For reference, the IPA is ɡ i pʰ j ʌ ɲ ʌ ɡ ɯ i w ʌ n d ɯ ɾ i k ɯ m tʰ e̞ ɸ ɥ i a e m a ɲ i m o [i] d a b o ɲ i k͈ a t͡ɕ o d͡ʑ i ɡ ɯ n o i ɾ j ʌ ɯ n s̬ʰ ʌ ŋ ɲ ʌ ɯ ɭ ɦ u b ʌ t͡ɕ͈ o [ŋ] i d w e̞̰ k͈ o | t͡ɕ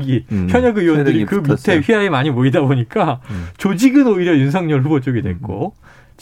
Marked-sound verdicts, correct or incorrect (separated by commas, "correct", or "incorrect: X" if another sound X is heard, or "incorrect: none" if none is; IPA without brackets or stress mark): correct, incorrect: ɡ